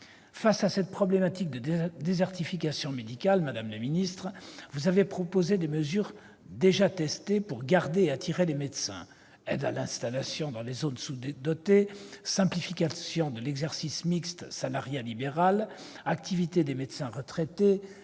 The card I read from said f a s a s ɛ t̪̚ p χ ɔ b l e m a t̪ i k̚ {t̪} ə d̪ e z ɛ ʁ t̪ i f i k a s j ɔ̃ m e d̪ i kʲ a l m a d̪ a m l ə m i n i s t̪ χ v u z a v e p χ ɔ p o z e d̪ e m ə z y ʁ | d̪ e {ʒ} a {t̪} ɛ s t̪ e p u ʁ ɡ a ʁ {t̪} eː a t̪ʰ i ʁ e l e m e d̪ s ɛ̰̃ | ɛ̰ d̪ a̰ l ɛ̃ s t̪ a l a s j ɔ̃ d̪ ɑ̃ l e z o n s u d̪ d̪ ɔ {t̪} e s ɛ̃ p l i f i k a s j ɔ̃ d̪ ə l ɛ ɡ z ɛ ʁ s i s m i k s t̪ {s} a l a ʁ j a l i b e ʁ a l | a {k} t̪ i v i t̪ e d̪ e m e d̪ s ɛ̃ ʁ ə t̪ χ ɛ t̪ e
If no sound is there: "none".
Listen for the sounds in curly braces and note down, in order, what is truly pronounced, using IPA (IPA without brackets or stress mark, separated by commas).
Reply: d̪, ʒ, t̪, d̪, t̪, s, k